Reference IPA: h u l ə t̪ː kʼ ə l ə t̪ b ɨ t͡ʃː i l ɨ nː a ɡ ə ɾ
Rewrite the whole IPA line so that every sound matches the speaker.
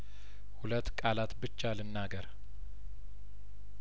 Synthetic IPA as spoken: h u l ə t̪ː kʼ a l a t̪ b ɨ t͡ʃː a l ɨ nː a ɡ ə ɾ